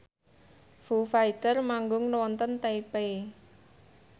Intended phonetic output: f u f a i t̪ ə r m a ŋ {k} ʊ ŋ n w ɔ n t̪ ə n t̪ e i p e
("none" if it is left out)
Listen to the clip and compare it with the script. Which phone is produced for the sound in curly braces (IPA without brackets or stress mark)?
ɡ